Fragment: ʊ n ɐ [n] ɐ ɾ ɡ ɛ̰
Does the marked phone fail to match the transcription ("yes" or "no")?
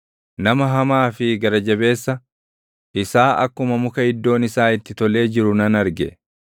no